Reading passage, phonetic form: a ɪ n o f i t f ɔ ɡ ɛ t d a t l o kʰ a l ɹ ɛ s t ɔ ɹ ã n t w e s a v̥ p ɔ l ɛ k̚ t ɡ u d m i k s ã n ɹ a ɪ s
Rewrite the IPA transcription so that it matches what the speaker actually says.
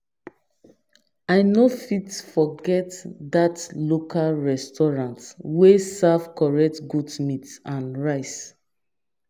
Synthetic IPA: a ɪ n o f i t f ɔ ɡ ɛ t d a t l o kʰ a l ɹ ɛ s t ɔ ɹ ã n t w e s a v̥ k ɔ ɹ ɛ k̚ t ɡ u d m i t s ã n ɹ a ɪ s